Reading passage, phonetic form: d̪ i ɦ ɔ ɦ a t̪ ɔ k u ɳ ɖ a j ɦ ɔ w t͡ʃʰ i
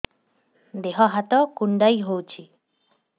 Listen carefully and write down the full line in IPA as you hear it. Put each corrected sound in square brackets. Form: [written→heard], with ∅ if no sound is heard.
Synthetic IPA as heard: d̪ [i→e] ɦ ɔ ɦ a t̪ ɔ k u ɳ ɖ a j ɦ [ɔ→o] w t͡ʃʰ i

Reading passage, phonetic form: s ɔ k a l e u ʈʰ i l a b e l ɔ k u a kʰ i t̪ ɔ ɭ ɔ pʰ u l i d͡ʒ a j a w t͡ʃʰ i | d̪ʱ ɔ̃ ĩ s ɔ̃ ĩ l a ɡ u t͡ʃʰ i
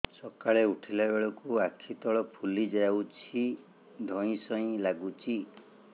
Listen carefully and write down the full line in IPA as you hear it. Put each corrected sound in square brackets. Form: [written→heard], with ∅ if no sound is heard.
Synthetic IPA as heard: s ɔ k a [l→ɭ] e u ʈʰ i l a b e [l→ɭ] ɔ k u a kʰ i t̪ ɔ ɭ ɔ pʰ u l i d͡ʒ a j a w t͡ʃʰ i | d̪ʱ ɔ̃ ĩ s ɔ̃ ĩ l a ɡ u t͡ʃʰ i

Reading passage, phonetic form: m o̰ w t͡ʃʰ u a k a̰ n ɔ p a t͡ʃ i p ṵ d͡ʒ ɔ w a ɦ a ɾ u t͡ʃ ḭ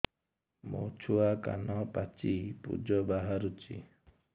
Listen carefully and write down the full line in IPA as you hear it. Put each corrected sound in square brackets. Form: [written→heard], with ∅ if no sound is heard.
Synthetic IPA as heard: m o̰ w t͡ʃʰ u a k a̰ n ɔ p a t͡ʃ i p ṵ d͡ʒ ɔ [w→b] a ɦ a ɾ u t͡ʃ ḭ

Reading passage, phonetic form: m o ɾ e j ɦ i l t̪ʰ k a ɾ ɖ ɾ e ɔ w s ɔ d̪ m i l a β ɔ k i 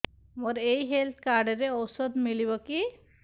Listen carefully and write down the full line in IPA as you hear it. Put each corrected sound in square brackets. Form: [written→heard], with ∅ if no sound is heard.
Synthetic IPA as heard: m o ɾ e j ɦ [i→e] l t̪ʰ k a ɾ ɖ ɾ e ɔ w s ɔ d̪ m i l [a→i] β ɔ k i

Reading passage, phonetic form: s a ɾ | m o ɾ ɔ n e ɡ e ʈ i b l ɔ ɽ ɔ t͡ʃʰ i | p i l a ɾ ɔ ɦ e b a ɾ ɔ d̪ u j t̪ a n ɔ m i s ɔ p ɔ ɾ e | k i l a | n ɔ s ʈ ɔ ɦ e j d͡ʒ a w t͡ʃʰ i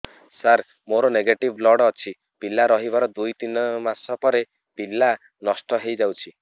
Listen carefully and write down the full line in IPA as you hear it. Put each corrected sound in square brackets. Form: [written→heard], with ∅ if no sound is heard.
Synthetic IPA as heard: s a ɾ | m o ɾ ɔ n e ɡ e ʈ i b l ɔ ɽ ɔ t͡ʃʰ i | p i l a ɾ ɔ ɦ [e→i] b a ɾ ɔ d̪ u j t̪ [a→i] n ɔ m [i→a] s ɔ p ɔ ɾ e | [k→p] i l a | n ɔ s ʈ ɔ ɦ e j d͡ʒ a w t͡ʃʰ i

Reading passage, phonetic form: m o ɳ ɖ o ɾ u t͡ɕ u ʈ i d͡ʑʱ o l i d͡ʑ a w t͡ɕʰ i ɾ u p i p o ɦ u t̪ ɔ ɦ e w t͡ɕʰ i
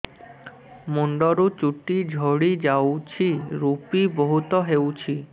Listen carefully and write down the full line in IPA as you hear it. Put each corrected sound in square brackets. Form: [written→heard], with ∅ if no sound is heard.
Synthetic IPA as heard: m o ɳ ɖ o ɾ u t͡ɕ u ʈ i d͡ʑʱ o [l→ɽ] i d͡ʑ a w t͡ɕʰ i ɾ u p i [p→b] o ɦ u t̪ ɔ ɦ e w t͡ɕʰ i

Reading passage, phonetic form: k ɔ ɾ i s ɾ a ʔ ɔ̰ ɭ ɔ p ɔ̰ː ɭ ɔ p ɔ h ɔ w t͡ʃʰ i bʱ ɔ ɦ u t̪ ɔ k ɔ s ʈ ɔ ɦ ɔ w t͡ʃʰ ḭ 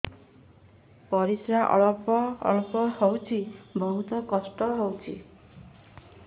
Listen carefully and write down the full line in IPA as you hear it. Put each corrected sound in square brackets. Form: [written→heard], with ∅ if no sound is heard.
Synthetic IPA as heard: [k→p] ɔ ɾ i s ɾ a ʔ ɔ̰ ɭ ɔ p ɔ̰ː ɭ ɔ p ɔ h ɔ w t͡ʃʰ i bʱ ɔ ɦ u t̪ ɔ k ɔ s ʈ ɔ ɦ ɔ w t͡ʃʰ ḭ

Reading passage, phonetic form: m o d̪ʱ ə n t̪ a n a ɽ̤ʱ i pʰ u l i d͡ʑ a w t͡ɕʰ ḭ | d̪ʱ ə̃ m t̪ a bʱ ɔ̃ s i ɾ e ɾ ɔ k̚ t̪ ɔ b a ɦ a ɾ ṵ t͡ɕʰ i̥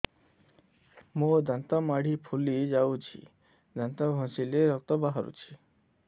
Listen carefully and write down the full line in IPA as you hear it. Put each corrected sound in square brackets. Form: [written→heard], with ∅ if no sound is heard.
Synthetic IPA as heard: m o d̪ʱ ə n t̪ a [n→m] a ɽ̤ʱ i pʰ u l i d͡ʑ a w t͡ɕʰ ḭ | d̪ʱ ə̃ [m→n] t̪ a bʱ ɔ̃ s i [ɾ→l] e ɾ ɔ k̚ t̪ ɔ b a ɦ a ɾ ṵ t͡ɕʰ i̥

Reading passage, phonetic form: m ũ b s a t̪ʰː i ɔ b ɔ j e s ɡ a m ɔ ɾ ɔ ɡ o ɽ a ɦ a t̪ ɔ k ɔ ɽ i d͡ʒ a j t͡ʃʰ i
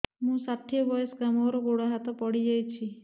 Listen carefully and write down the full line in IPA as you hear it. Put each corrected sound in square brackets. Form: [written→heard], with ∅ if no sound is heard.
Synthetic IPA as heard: m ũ [b→∅] s a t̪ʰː i ɔ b ɔ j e s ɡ a m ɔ ɾ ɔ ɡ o ɽ a ɦ a t̪ ɔ [k→p] ɔ ɽ i d͡ʒ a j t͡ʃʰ i

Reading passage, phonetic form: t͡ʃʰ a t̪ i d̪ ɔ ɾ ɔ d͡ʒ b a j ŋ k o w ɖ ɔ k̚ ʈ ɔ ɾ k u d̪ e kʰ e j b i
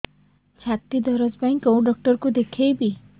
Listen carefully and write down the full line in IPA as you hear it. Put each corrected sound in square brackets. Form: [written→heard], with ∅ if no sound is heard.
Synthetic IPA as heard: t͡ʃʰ a t̪ i d̪ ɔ ɾ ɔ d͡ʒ b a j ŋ k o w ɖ ɔ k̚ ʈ ɔ ɾ k u d̪ e kʰ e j b i

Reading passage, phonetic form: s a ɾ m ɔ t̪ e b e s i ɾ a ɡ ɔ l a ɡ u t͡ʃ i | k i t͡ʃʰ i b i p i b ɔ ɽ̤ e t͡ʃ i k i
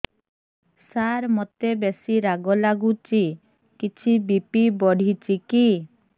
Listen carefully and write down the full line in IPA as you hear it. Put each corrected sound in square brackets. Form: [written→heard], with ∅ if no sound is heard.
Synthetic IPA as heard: s a ɾ m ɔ t̪ e b e s i ɾ a ɡ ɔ l a ɡ u t͡ʃ i | k i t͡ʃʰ i b i p i b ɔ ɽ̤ [e→i] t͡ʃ i k i

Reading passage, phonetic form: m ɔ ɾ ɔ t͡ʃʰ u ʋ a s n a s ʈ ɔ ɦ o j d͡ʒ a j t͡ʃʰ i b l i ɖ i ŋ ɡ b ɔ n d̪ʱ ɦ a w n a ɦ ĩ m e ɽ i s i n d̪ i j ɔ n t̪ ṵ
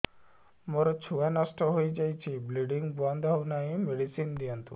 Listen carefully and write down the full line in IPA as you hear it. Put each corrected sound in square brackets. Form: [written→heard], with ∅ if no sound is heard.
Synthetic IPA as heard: m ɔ ɾ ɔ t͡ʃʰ u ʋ a [s→∅] n a s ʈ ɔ ɦ o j d͡ʒ a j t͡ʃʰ i b l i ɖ i ŋ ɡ b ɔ n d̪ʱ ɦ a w n a ɦ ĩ m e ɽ i s i n d̪ i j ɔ n t̪ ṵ

